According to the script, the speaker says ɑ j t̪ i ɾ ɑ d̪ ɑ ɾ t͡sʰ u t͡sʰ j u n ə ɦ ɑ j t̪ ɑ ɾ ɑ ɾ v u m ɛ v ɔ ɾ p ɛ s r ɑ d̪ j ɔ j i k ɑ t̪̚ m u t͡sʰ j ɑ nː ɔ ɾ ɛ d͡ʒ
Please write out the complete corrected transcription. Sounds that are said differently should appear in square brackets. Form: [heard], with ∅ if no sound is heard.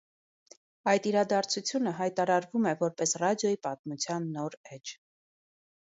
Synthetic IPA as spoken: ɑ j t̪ i ɾ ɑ d̪ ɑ ɾ t͡sʰ u t͡sʰ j u n ə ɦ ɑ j t̪ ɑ ɾ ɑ ɾ v u m ɛ v ɔ ɾ p ɛ s r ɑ d̪ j ɔ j i [p] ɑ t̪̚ m u t͡sʰ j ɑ nː ɔ ɾ ɛ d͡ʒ